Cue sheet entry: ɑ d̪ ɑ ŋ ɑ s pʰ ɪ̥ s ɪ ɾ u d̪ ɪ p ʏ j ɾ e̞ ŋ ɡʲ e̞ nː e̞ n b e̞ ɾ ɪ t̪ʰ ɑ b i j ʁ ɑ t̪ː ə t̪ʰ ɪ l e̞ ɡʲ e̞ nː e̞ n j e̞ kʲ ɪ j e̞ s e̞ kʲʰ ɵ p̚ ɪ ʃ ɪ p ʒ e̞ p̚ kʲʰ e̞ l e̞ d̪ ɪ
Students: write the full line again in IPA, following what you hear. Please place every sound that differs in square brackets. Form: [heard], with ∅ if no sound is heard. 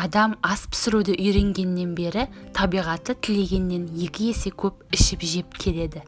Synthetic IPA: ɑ d̪ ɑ [m] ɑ s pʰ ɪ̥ s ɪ ɾ u d̪ ɪ [ʔ] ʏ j ɾ e̞ ŋ ɡʲ e̞ nː e̞ n b e̞ ɾ ɪ t̪ʰ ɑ b i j ʁ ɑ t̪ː ə t̪ʰ ɪ l e̞ ɡʲ e̞ nː e̞ n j e̞ kʲ ɪ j e̞ s e̞ kʲʰ ɵ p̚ ɪ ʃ ɪ p ʒ e̞ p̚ kʲʰ e̞ l e̞ d̪ ɪ